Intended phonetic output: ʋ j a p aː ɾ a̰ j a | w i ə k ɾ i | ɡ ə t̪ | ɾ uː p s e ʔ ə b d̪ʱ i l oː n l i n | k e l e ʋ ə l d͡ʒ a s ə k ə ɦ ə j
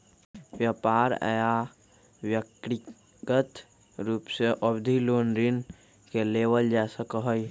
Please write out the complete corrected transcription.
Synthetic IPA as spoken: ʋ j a p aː ɾ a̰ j a | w j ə k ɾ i | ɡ ə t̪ | ɾ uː p s e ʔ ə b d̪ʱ i l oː n ɾ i n | k e l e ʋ ə l d͡ʒ a s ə k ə ɦ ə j